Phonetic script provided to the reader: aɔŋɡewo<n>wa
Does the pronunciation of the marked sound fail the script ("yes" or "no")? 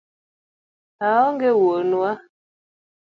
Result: no